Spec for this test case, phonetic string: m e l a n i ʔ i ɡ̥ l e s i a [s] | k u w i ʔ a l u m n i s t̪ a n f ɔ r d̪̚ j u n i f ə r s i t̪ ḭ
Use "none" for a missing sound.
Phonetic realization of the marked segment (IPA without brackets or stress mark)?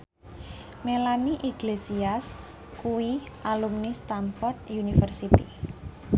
s